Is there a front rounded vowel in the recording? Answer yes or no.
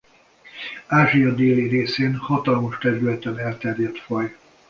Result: yes